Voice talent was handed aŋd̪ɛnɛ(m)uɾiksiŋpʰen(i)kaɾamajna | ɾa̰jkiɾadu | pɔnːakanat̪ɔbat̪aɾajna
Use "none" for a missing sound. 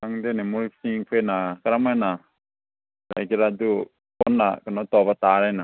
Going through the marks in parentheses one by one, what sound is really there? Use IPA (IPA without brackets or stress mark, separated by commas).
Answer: m, a